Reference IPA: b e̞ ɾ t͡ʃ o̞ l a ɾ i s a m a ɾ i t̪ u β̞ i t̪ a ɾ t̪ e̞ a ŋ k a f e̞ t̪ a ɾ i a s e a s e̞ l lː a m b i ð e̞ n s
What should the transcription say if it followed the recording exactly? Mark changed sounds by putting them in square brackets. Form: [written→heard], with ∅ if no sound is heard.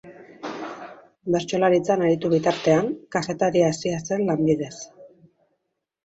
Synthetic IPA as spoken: b e̞ ɾ t͡ʃ o̞ l a ɾ i [s→t͡s] a [m→n] a ɾ i t̪ u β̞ i t̪ a ɾ t̪ e̞ a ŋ k a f e̞ t̪ a ɾ i a s [e→i] a s e̞ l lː a m b i ð e̞ [n→∅] s

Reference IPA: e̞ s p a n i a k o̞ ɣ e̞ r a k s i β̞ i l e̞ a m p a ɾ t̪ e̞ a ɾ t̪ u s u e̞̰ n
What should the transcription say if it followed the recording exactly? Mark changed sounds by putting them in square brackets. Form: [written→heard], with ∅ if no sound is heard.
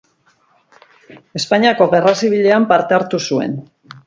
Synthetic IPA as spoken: e̞ s p a [n→ɲ] i a k o̞ ɣ e̞ r a [k→∅] s i β̞ i [l→ʎ] e̞ a m p a ɾ t̪ e̞ a ɾ t̪ u s u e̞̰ n

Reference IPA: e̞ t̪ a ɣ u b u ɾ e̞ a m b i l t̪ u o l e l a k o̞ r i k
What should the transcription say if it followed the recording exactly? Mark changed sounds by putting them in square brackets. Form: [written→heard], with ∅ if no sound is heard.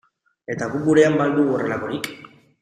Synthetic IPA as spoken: e̞ t̪ a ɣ u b u ɾ e̞ a m b [i→a] l [t̪→d̪] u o [l→r] e l a k o̞ [r→ɾ] i k

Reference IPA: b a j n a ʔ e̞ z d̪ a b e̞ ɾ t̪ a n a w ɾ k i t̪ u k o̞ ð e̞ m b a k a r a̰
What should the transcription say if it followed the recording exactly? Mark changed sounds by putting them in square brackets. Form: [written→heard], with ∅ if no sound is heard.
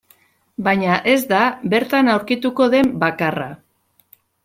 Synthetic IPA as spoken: b a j [n→ɲ] a ʔ e̞ z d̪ a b e̞ ɾ t̪ a n a w ɾ k i t̪ u k o̞ ð e̞ m b a k a r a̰

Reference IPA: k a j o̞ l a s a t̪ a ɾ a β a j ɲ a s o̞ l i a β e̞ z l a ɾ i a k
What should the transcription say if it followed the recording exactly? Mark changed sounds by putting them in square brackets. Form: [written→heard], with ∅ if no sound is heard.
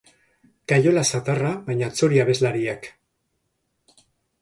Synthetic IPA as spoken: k a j o̞ l a s a t̪ a [ɾ→r] a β a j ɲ a [s→t͡s] o̞ [l→ɾ] i a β e̞ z l a ɾ i a k

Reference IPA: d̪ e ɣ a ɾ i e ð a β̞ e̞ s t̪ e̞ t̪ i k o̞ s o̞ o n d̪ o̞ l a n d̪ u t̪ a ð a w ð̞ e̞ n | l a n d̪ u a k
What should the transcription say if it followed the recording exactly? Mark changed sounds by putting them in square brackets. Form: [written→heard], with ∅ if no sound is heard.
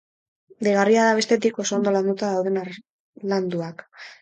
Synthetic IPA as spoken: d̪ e ɣ a [ɾ→r] i [e→a] ð a β̞ e̞ s t̪ e̞ t̪ i k o̞ s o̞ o n d̪ o̞ l a n d̪ u t̪ a ð a w ð̞ e̞ n | l a n d̪ u a k

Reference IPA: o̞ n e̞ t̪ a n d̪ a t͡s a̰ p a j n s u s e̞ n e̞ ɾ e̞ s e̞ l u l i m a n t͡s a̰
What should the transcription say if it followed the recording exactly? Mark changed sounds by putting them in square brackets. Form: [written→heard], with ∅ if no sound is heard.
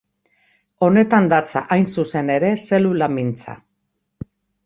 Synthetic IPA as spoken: o̞ n e̞ t̪ a n d̪ a t͡s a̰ [p→ʔ] a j n s u s e̞ n e̞ ɾ e̞ s e̞ l u l [i→a] m [a→i] n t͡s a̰

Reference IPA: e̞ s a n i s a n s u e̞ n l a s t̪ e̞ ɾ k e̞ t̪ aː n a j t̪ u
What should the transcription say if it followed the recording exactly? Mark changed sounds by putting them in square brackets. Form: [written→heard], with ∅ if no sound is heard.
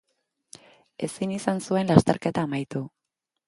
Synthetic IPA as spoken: e̞ s [a→i] n i s a n s u e̞ n l a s t̪ e̞ ɾ k e̞ t̪ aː [n→m] a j t̪ u

